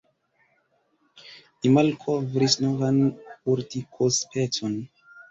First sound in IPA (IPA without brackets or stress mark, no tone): i